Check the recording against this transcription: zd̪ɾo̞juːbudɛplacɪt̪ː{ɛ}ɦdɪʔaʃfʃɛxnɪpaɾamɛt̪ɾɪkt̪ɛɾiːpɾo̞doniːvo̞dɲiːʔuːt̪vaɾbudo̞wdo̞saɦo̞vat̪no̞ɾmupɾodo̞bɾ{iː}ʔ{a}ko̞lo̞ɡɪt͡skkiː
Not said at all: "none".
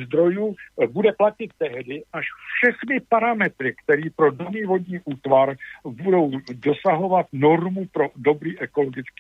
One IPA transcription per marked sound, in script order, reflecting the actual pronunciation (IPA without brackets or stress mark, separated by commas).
ɛ, iː, ɛ